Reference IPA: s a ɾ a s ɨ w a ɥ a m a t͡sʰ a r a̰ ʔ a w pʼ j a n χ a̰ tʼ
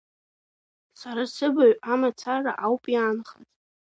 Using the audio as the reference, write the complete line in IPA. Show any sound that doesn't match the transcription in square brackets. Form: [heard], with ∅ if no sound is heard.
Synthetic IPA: s a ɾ a s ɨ [b] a ɥ a m a t͡sʰ a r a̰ ʔ a w pʼ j a n χ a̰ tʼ